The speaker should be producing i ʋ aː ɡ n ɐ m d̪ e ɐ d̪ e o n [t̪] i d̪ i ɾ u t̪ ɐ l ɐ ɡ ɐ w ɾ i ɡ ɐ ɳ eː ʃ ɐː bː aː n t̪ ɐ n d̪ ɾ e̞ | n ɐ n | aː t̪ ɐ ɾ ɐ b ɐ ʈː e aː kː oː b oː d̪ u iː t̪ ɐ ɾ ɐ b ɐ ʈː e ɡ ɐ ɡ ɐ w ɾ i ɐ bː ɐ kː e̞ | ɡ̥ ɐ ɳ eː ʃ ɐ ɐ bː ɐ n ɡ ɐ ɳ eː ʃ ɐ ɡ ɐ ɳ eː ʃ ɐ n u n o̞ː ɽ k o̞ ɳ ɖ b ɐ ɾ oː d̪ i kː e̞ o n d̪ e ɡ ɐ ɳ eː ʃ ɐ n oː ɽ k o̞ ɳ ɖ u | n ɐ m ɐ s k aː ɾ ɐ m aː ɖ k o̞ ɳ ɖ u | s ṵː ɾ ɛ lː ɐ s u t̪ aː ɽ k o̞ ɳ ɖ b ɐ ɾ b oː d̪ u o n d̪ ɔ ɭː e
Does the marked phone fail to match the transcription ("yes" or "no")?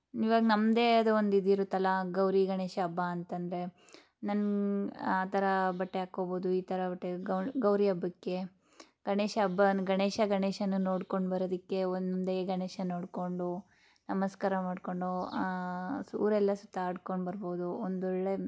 yes